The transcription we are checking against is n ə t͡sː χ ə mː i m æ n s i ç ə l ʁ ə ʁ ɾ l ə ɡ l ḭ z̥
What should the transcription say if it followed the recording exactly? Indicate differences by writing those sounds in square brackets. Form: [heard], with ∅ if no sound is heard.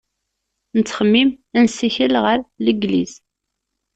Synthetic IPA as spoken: n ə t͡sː χ ə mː i m æ n s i ç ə l ʁ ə [∅] ɾ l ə ɡ l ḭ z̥